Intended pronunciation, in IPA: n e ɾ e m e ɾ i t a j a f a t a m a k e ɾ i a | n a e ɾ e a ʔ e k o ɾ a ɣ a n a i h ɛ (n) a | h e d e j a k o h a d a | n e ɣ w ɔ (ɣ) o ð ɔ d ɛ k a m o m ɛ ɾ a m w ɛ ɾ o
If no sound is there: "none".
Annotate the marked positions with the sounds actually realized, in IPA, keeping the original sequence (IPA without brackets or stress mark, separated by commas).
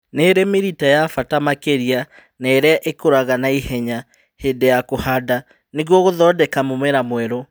ɲ, ɣ